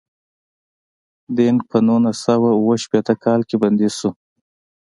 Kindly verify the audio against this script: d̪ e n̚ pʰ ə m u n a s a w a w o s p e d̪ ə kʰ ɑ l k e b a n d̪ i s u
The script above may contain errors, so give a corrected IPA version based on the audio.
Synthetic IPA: d̪ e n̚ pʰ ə n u n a s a w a w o ʃ p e t̪ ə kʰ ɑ l k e b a n d̪ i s u